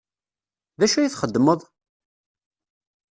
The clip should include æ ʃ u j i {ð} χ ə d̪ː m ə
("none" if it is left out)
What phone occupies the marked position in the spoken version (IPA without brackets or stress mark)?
θ